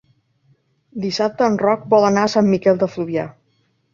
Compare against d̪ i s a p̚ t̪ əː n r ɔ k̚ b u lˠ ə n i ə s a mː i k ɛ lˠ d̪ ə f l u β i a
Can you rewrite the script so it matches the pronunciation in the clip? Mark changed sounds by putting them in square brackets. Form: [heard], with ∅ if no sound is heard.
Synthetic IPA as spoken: d̪ i s a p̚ t̪ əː n r ɔ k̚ b [ɔ] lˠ ə n [a] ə s a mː i k ɛ lˠ d̪ ə f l u β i a